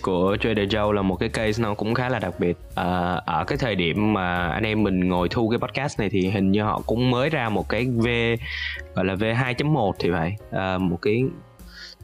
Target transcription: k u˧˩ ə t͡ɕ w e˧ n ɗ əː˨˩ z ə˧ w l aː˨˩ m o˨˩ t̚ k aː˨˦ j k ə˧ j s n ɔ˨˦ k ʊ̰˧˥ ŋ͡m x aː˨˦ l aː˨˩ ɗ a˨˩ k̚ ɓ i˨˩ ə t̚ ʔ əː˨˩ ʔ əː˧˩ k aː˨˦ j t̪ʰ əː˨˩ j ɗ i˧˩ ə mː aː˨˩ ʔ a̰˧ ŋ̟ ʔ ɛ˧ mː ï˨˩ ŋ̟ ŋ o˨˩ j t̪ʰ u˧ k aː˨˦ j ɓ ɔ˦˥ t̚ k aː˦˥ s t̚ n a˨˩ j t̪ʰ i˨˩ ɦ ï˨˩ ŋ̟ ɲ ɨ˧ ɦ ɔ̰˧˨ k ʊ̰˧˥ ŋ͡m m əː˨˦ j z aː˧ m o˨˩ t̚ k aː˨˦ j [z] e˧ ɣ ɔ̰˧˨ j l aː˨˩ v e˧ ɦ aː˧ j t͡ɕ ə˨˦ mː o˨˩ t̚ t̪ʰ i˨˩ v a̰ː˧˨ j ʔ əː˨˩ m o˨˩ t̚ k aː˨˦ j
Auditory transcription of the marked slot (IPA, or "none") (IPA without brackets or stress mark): v